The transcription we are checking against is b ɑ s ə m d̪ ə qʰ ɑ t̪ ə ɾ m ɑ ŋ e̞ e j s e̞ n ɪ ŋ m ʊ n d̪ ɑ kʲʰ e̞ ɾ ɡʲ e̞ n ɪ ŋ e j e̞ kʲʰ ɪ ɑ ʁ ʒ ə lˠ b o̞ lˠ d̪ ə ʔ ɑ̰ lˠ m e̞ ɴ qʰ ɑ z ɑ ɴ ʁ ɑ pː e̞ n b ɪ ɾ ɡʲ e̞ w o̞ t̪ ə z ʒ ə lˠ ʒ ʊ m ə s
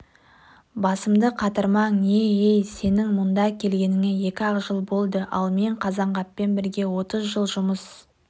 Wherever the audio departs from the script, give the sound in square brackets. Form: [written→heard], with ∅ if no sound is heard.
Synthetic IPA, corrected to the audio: b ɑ s ə m d̪ ə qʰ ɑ t̪ ə ɾ m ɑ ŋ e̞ e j s e̞ n ɪ ŋ m ʊ n d̪ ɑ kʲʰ e̞ [ɾ→l] ɡʲ e̞ n ɪ ŋ e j e̞ [kʲʰ→kʲ] ɪ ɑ ʁ ʒ ə lˠ b o̞ lˠ d̪ ə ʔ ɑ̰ lˠ m e̞ ɴ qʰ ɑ z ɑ ɴ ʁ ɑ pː e̞ n b ɪ ɾ ɡʲ e̞ w o̞ t̪ ə z ʒ ə lˠ ʒ ʊ m ə s